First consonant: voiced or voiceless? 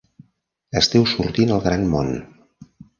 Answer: voiceless